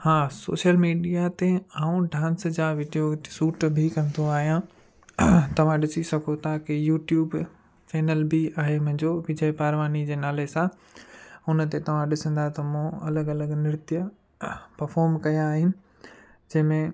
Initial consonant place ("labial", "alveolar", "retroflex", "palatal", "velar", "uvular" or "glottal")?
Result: glottal